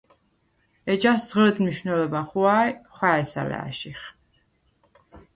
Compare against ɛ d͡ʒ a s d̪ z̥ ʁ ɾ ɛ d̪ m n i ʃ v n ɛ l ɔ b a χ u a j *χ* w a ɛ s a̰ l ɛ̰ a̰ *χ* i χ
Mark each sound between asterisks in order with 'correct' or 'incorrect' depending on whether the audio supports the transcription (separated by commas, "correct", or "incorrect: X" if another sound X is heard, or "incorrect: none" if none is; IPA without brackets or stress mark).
correct, incorrect: ʃ